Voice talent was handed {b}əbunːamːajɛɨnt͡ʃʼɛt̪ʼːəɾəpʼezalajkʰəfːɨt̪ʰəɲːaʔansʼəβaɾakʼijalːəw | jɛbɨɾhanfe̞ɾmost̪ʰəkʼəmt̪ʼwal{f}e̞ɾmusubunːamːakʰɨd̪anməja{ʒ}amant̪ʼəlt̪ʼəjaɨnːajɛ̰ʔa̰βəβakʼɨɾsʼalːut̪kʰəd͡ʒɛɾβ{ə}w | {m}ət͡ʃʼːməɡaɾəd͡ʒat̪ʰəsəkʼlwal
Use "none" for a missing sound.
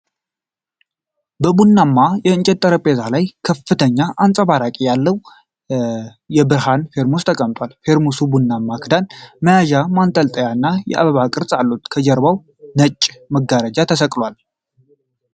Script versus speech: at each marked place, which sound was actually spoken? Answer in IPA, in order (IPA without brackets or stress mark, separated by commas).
b, f, ʒ, a, n